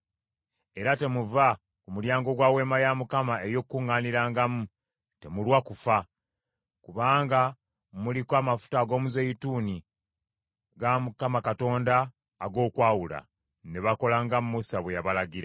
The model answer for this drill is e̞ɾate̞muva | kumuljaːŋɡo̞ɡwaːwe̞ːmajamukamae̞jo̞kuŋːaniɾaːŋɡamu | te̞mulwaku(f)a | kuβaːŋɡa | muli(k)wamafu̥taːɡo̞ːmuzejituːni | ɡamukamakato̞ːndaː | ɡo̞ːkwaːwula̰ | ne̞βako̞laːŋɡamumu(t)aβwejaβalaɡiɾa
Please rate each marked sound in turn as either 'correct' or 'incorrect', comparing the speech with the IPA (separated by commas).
correct, correct, incorrect